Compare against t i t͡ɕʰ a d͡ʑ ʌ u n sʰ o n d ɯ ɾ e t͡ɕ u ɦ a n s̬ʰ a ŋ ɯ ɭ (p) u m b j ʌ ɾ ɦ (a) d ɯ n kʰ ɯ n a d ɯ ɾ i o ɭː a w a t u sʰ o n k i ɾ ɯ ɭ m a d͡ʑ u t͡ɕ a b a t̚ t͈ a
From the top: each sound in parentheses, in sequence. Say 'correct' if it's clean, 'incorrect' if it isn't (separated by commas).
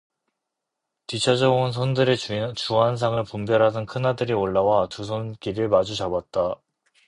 correct, correct